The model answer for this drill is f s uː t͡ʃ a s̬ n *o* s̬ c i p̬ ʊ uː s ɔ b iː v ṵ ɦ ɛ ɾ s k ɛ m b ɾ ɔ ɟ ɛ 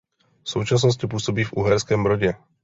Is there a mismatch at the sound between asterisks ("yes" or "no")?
yes